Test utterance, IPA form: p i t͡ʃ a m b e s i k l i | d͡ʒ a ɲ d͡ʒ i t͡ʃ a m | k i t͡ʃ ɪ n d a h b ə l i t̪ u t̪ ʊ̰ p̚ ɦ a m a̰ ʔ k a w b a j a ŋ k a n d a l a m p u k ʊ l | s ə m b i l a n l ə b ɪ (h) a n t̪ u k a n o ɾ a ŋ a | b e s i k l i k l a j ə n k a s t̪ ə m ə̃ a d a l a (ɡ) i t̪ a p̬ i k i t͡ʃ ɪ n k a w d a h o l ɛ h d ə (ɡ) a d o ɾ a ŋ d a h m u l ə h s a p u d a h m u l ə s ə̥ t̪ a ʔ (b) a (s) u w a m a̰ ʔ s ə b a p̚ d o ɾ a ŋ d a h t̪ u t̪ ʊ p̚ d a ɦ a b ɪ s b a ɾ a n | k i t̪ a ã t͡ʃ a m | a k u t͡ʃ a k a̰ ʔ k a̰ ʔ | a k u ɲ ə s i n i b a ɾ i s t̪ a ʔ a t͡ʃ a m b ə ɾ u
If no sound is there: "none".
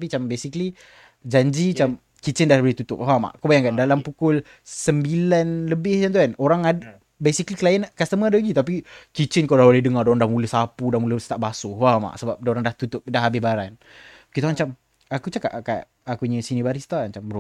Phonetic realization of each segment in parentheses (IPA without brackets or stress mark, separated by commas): h, ɡ, ŋ, b, s